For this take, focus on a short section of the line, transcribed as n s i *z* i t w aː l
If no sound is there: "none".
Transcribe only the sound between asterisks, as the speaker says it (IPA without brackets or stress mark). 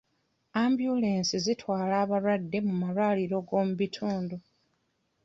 z